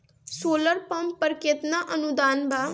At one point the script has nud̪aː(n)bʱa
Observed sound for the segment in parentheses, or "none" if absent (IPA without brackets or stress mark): n